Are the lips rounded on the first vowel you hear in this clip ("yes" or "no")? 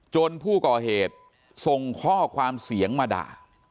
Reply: yes